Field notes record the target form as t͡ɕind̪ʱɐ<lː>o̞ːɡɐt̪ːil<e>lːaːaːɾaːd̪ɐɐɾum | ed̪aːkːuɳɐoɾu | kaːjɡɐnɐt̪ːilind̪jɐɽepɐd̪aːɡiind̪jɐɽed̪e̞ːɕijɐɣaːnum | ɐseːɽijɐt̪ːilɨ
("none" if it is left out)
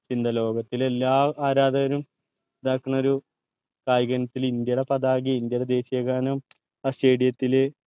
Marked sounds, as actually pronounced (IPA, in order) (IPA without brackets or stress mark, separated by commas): l, e